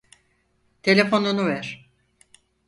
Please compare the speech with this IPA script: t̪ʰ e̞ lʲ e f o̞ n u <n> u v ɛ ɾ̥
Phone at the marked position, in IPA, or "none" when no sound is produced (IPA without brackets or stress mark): n